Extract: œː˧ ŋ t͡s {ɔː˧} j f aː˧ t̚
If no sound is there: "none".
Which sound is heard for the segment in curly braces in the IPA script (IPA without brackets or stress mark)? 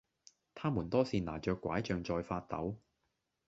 ɔː˧